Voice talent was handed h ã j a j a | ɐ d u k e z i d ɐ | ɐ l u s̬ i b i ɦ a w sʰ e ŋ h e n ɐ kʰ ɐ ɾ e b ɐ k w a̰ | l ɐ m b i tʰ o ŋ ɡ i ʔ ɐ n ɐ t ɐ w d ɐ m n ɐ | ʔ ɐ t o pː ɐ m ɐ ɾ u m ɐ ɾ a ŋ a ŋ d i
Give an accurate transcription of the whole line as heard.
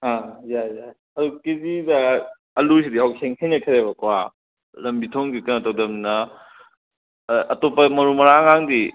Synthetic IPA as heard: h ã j a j a | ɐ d u k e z i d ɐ | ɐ l u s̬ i d i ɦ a w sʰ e ŋ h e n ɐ kʰ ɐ ɾ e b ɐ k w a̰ | l ɐ m b i tʰ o ŋ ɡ i k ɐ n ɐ t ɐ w d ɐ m n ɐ | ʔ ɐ t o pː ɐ m ɐ ɾ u m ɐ ɾ a ŋ a ŋ d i